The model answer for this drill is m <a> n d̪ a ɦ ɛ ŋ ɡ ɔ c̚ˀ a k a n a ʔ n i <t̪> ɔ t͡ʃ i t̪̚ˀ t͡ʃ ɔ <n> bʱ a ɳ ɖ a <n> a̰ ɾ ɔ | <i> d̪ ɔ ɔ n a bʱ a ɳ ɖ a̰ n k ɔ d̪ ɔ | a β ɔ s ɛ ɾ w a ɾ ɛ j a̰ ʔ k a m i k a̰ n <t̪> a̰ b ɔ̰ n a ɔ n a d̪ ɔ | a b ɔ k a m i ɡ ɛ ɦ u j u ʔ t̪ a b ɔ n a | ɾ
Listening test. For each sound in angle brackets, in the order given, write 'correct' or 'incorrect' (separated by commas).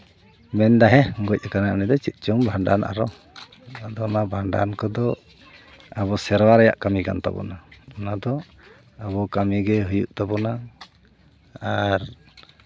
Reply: incorrect, incorrect, incorrect, correct, incorrect, correct